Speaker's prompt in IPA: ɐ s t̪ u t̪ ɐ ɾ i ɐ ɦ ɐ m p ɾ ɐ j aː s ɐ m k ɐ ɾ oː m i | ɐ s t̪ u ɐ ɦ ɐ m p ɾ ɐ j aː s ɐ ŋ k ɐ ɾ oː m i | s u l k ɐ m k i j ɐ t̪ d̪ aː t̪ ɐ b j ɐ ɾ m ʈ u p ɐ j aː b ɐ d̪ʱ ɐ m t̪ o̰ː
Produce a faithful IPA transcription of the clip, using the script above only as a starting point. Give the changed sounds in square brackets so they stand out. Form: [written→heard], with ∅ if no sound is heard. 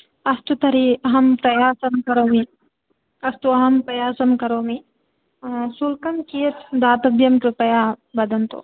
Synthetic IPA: ɐ s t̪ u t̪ ɐ ɾ i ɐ ɦ ɐ m p ɾ ɐ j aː s ɐ m k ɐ ɾ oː m i | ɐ s t̪ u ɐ ɦ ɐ m p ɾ ɐ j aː s ɐ [ŋ→m] k ɐ ɾ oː m i | s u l k ɐ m k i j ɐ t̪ d̪ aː t̪ ɐ b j ɐ [ɾ→∅] m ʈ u p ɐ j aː b ɐ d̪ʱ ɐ [m→n] t̪ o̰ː